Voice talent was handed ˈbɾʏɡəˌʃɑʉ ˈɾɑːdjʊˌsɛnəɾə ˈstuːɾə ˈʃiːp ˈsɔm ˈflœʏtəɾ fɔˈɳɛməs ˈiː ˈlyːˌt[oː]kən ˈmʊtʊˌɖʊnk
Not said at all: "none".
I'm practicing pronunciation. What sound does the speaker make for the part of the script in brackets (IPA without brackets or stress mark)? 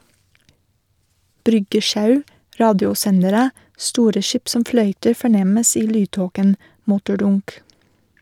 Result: oː